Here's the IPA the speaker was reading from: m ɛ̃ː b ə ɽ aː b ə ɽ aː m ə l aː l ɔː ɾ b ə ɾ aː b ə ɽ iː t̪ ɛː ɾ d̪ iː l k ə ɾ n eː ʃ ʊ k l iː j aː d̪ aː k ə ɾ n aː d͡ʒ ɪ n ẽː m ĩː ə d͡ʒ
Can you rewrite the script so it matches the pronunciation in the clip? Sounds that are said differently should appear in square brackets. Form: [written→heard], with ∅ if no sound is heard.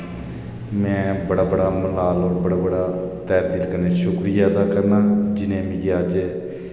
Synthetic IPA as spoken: m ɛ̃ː b ə ɽ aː b ə ɽ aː m ə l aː l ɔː ɾ b ə [ɾ→ɽ] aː b ə ɽ [iː→aː] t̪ ɛː ɾ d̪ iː l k ə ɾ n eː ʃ ʊ k [l→ɾ] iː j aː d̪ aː k ə ɾ n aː d͡ʒ ɪ n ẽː m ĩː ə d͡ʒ